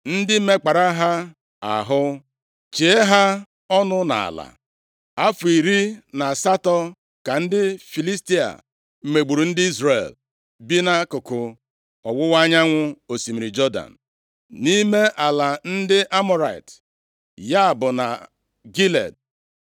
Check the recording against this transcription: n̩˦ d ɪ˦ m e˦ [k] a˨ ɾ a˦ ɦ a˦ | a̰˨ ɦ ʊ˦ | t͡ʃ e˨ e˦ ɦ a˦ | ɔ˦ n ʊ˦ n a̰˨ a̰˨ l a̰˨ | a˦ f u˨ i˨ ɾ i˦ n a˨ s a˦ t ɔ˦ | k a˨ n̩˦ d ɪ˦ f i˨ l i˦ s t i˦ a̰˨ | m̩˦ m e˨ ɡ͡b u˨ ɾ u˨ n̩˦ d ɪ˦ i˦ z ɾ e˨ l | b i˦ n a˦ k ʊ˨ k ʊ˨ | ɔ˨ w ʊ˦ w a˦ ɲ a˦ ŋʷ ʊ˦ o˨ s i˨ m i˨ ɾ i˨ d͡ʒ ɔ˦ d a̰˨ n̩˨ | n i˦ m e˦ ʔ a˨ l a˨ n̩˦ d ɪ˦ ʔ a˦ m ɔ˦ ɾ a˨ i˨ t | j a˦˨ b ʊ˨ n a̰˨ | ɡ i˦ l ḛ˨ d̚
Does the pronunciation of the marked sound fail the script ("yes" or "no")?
yes